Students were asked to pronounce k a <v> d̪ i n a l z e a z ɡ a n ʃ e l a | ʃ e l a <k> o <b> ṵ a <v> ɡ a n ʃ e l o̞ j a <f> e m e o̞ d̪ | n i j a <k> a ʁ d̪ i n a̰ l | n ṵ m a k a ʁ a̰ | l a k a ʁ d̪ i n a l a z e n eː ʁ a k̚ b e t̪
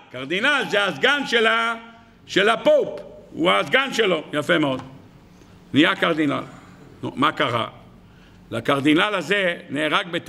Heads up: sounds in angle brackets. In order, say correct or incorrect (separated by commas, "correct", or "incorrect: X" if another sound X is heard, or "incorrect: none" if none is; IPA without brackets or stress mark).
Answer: incorrect: ʁ, incorrect: p, incorrect: p, incorrect: z, correct, correct